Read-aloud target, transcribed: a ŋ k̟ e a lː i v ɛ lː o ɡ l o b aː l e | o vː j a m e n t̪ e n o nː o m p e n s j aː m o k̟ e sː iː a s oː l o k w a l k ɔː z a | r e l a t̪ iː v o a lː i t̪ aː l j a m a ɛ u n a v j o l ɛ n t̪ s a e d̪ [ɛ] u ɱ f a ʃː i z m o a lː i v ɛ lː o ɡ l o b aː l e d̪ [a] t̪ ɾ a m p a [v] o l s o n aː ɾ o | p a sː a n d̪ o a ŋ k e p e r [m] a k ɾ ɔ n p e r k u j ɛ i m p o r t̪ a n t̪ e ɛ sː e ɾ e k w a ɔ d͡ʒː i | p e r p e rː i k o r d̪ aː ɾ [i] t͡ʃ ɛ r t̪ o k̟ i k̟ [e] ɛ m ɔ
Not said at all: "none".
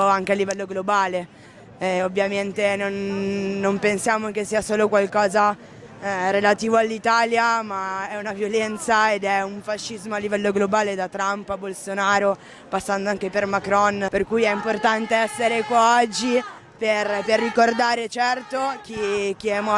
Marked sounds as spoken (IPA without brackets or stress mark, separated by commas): ɛ, a, b, m, e, i